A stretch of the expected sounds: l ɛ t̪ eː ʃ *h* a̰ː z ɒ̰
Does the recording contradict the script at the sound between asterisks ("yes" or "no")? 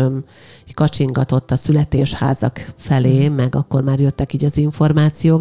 no